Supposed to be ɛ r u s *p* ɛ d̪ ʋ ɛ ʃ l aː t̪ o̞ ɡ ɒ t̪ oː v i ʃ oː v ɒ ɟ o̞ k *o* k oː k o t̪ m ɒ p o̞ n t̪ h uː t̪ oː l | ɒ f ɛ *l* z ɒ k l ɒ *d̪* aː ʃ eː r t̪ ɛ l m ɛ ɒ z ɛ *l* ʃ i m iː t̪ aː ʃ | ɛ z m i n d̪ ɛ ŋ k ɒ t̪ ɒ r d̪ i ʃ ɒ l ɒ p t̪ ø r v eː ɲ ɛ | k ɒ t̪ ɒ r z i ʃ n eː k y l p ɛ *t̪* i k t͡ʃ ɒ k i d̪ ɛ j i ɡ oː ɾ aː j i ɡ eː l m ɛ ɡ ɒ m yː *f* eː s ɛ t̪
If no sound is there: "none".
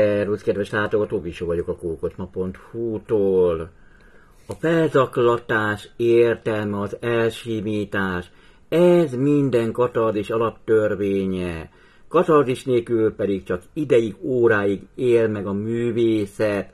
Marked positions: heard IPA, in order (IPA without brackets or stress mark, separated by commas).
k, ɒ, l, t̪, l, d̪, v